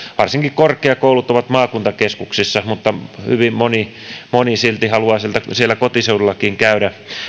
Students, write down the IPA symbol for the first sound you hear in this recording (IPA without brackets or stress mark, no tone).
ʋ